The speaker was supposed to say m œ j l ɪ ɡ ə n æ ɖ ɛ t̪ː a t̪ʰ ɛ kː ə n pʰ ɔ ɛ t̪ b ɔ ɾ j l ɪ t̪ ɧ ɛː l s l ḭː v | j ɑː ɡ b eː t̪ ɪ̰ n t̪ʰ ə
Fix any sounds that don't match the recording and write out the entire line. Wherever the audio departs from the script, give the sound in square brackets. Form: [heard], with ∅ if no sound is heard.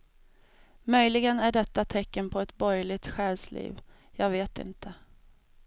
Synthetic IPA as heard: m œ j l ɪ ɡ ə n æ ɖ ɛ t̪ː a t̪ʰ ɛ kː ə n pʰ ɔ ɛ t̪ b ɔ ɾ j l ɪ t̪ ɧ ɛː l s l ḭː v | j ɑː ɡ [v] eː t̪ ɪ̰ n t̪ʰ ə